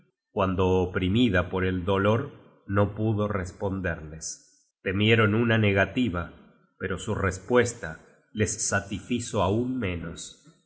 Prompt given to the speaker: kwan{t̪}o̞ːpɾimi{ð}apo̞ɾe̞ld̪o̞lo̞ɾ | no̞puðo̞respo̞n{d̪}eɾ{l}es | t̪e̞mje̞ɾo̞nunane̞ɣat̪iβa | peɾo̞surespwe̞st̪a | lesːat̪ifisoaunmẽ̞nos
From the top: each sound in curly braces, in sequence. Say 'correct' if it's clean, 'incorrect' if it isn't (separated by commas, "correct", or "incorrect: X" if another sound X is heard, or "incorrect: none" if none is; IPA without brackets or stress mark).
incorrect: d̪, correct, correct, correct